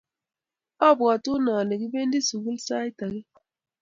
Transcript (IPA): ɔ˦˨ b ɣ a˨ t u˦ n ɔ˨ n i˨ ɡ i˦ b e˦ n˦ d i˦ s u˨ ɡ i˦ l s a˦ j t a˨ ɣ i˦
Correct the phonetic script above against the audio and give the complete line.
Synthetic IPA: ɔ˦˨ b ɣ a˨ t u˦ n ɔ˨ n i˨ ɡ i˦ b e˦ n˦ d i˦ s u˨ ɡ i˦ l s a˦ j t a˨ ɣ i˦